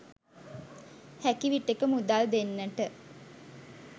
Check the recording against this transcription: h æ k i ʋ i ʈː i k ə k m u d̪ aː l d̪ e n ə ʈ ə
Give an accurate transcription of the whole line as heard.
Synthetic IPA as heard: h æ k i ʋ i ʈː e k ə m u d̪ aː l d̪ e nː ə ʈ ə